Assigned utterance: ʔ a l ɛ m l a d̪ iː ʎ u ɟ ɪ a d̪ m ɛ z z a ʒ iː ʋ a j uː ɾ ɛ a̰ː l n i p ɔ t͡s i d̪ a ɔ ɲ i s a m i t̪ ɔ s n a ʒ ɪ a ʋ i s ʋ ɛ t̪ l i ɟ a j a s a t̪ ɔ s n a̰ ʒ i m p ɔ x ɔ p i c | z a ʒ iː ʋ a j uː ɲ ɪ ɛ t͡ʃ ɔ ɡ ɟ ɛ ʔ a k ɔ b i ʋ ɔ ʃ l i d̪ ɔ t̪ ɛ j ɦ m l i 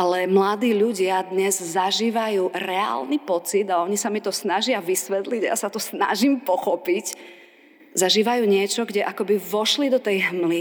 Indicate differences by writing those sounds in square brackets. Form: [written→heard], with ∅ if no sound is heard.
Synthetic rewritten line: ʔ a l ɛ m l a d̪ iː ʎ u ɟ ɪ a d̪ [m→ɲ] ɛ z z a ʒ iː ʋ a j uː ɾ ɛ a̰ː l n i p ɔ t͡s i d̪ a ɔ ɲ i s a m i t̪ ɔ s n a ʒ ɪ a ʋ i s ʋ ɛ t̪ l i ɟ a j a s a t̪ ɔ s n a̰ ʒ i m p ɔ x ɔ p i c | z a ʒ iː ʋ a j uː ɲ ɪ ɛ t͡ʃ ɔ ɡ ɟ ɛ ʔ a k ɔ b i ʋ ɔ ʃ l i d̪ ɔ t̪ ɛ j ɦ m l i